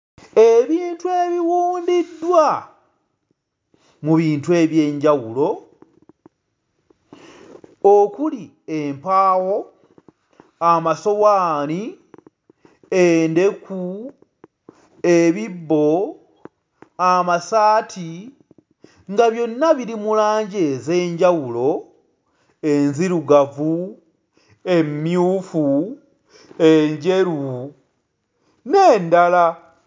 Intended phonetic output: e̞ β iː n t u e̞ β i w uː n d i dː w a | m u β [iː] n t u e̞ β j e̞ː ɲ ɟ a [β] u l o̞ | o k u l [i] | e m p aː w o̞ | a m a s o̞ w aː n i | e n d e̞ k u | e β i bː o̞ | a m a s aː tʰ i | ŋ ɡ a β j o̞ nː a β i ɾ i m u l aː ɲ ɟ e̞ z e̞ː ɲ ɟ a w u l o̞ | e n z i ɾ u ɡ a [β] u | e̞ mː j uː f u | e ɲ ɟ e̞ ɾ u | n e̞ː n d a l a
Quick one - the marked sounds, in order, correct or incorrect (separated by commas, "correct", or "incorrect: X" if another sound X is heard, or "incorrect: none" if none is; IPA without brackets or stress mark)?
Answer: correct, incorrect: w, correct, incorrect: v